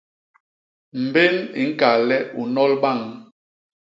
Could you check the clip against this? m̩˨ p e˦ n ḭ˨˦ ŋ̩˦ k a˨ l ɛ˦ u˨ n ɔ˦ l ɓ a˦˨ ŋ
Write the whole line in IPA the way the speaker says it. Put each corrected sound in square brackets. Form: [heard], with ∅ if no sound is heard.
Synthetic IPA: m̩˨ [b] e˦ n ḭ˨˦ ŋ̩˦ k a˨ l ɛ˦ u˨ n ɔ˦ l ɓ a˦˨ ŋ